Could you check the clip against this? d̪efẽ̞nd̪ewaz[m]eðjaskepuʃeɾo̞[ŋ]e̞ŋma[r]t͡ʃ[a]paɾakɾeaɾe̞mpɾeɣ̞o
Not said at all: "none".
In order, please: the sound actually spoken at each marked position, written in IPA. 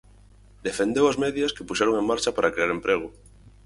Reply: m, ŋ, ɾ, a

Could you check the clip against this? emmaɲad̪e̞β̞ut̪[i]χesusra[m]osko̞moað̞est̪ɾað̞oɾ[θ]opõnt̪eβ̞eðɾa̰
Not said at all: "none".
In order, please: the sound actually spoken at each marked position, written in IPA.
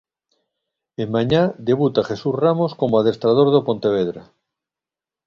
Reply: a, m, ð

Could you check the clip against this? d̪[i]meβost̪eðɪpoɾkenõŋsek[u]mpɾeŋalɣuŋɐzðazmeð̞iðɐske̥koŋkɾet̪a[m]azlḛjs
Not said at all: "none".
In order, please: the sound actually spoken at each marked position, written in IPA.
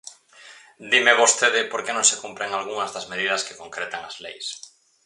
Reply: i, u, ŋ

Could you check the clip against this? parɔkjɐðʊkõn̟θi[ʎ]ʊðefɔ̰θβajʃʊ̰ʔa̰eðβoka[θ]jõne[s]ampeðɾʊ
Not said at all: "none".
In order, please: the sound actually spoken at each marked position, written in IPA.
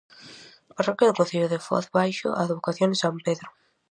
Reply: ʎ, θ, s

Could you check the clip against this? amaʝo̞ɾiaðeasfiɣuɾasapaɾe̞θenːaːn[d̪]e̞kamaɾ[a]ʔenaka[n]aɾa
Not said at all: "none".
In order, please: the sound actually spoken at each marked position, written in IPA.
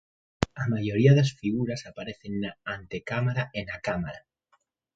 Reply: t̪, a, m

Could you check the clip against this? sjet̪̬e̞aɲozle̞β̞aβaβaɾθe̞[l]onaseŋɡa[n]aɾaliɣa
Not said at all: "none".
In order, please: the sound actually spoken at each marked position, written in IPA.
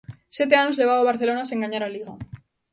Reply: l, ɲ

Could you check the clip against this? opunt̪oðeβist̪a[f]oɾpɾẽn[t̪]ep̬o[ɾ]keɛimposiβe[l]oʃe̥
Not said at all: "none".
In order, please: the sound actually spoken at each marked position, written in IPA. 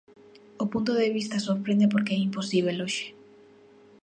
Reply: s, d̪, ɾ, l

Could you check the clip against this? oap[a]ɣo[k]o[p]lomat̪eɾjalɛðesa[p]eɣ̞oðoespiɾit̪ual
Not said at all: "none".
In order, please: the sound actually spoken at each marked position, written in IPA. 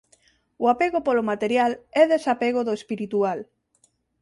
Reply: e, p, none, p

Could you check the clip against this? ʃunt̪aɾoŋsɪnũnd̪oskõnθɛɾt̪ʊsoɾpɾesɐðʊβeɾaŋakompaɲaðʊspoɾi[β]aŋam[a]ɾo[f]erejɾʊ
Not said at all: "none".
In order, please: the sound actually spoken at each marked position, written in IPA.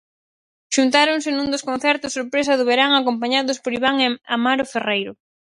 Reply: β, a, f

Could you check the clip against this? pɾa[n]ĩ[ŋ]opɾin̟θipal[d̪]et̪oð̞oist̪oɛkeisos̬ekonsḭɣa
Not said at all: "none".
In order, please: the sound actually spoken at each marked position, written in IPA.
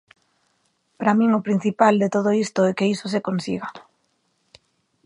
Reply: m, ŋ, d̪

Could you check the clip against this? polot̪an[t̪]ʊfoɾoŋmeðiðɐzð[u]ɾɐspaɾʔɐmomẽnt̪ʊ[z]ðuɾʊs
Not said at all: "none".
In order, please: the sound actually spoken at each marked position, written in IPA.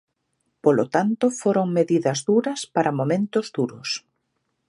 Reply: t̪, u, z

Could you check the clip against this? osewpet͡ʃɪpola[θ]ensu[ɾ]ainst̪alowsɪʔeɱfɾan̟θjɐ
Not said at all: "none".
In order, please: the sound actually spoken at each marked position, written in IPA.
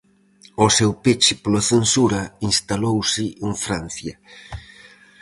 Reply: θ, ɾ

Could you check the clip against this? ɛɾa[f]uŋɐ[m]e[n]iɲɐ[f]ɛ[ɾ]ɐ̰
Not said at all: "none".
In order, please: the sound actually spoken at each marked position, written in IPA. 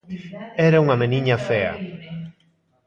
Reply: none, m, n, f, none

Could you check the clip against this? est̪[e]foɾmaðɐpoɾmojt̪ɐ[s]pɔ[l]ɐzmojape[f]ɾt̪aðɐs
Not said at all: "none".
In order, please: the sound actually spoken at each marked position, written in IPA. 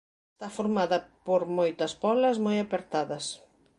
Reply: a, s, l, none

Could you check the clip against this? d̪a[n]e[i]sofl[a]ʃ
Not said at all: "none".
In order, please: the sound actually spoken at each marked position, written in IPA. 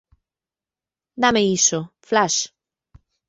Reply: m, i, a

